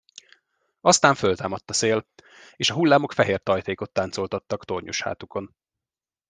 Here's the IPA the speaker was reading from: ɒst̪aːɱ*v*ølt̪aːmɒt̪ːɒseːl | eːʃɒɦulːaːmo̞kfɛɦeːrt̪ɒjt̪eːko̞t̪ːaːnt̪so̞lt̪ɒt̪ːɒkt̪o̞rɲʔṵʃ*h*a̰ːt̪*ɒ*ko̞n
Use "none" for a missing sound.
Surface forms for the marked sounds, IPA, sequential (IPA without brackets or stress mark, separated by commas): f, h, u